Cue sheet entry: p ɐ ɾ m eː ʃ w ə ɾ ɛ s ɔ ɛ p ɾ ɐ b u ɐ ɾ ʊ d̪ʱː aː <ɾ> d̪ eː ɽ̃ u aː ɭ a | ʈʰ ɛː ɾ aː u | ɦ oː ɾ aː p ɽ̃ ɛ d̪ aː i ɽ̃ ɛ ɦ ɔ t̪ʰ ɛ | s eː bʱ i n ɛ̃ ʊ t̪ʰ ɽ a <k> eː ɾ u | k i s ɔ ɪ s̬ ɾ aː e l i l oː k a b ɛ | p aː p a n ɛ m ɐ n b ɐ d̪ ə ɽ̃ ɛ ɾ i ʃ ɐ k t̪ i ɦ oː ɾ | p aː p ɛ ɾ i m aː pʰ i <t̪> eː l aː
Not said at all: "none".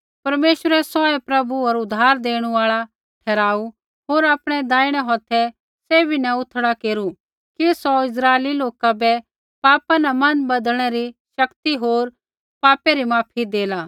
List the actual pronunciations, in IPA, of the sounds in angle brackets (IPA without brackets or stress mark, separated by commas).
ɾ, k, d̪